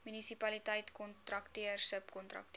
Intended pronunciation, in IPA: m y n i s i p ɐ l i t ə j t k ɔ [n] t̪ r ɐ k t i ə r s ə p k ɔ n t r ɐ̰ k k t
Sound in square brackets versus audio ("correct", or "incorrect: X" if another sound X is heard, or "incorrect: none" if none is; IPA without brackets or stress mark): correct